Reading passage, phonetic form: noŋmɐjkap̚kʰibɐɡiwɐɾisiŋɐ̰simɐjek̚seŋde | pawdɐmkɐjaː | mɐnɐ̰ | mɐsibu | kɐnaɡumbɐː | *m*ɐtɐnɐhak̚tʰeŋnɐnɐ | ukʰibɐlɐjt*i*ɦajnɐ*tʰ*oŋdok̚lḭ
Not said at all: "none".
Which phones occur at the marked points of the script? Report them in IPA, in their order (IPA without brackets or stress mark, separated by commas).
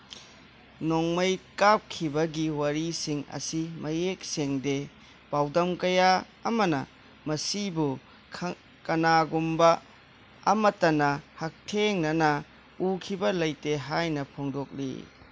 m, e, pʰ